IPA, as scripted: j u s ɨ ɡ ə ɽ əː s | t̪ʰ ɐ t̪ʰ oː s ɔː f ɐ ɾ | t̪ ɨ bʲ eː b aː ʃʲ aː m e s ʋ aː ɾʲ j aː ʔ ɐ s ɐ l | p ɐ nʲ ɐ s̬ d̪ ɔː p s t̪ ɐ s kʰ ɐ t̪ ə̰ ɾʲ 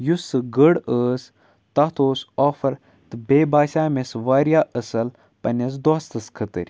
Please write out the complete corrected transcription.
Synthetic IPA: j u s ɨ ɡ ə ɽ əː s | t̪ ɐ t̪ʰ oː s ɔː f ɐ ɾ | t̪ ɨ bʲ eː b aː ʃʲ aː m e s ʋ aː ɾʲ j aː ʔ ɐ s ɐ l | p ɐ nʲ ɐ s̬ d̪ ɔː s t̪ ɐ s kʰ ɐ t̪ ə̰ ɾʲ